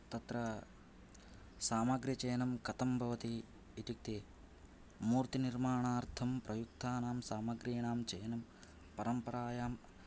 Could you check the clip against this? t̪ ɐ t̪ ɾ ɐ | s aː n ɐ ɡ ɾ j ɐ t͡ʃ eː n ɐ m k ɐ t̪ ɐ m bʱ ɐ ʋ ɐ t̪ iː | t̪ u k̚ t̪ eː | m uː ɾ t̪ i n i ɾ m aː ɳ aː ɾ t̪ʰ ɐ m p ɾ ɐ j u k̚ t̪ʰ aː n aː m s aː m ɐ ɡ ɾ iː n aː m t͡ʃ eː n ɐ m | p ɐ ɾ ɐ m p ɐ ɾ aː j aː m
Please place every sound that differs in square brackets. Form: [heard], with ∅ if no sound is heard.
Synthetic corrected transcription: t̪ ɐ t̪ ɾ ɐ | s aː [m] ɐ ɡ ɾ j ɐ t͡ʃ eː n ɐ m k ɐ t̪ ɐ m bʱ ɐ ʋ ɐ t̪ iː | t̪ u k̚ t̪ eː | m uː ɾ t̪ i n i ɾ m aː ɳ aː ɾ t̪ʰ ɐ m p ɾ ɐ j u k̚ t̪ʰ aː n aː m s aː m ɐ ɡ ɾ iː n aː m t͡ʃ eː n ɐ m | p ɐ ɾ ɐ m p ɐ ɾ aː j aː m